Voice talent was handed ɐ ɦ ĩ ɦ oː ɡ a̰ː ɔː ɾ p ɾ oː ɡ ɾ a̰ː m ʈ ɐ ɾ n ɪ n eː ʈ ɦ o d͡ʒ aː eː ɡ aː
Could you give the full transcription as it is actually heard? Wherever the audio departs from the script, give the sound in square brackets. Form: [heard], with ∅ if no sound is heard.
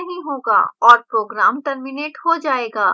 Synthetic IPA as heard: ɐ ɦ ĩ ɦ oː ɡ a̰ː ɔː ɾ p ɾ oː ɡ ɾ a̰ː m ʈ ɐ ɾ [m] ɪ n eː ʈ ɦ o d͡ʒ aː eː ɡ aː